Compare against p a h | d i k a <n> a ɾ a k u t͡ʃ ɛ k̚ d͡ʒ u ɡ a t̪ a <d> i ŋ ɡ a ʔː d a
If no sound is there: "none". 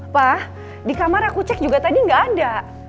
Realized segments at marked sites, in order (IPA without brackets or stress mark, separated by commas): m, d